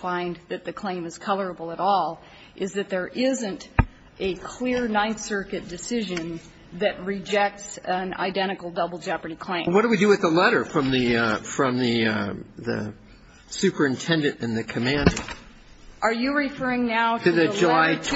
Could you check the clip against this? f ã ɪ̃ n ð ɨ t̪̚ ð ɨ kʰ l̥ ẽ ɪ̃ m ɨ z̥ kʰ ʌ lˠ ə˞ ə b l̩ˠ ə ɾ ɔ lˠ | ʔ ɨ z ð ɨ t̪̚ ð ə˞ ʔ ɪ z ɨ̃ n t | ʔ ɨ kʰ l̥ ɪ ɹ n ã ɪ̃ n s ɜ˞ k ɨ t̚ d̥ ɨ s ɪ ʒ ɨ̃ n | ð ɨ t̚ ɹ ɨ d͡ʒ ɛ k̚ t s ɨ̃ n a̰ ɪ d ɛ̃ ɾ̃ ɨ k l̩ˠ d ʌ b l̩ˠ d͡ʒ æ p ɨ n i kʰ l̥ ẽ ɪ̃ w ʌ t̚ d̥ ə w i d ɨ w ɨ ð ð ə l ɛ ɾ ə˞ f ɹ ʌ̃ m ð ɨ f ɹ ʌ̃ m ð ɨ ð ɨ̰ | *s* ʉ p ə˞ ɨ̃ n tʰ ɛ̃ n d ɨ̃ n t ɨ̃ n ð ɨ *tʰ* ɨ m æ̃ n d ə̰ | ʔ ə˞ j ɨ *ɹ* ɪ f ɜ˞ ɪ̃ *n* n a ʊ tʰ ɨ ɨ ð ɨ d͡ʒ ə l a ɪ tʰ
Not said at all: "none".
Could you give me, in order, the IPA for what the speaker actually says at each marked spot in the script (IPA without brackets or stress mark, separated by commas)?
s, kʰ, ɹ, ŋ